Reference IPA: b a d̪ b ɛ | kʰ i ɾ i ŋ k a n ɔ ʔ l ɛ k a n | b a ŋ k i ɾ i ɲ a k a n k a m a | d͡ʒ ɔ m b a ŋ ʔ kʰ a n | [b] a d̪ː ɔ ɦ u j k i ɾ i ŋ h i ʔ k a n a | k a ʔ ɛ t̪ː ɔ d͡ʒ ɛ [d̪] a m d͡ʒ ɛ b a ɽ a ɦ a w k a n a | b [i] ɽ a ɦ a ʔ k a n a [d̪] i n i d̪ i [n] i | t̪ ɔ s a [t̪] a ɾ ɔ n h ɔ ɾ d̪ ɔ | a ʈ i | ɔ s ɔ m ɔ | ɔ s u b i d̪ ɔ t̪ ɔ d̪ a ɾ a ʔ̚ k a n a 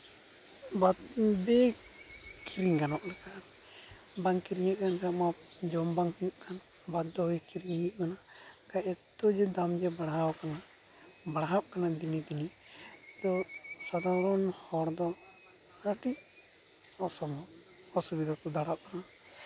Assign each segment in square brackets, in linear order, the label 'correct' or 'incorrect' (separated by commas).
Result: correct, correct, incorrect, correct, correct, incorrect